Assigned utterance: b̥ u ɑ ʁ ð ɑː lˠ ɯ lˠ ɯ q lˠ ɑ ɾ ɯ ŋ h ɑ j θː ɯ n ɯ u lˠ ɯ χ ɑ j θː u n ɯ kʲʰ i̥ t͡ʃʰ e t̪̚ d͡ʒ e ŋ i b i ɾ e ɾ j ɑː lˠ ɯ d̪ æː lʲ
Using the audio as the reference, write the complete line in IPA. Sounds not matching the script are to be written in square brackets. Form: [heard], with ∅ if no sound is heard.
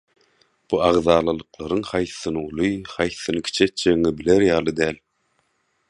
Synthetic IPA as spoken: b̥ u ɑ ʁ ð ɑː lˠ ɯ lˠ ɯ q lˠ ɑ ɾ ɯ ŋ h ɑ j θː ɯ n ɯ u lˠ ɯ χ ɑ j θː [ɯ] n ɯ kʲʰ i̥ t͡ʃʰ e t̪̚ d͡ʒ e ŋ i b i [l] e ɾ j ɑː lˠ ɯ d̪ æː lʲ